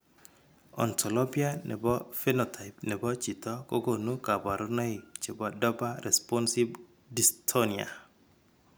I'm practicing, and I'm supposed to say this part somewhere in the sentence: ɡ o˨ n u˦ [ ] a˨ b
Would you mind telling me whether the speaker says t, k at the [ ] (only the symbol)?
k